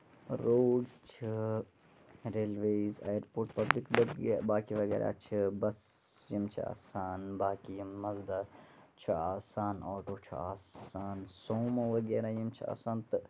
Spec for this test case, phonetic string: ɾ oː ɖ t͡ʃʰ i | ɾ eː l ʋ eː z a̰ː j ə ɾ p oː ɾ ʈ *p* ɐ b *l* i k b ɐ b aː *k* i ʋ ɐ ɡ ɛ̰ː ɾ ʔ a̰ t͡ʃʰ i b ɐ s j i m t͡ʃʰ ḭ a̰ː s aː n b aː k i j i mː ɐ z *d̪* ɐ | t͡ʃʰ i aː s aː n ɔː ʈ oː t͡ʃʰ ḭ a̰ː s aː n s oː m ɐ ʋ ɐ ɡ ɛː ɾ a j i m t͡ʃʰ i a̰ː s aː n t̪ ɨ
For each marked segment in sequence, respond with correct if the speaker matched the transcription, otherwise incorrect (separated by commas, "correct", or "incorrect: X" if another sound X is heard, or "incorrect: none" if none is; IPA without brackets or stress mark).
correct, correct, correct, correct